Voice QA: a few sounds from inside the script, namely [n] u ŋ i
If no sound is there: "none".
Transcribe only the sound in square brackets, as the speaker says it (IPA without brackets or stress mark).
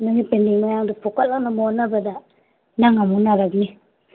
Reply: n